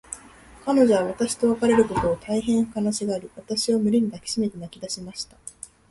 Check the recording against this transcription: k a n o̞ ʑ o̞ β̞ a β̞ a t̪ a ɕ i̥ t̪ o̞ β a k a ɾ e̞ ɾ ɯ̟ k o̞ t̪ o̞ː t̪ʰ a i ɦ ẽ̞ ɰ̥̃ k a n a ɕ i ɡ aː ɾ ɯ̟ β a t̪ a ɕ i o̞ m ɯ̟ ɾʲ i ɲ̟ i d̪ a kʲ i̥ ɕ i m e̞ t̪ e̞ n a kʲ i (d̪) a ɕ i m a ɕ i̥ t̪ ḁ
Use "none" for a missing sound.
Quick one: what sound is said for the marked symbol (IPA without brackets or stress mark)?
d̪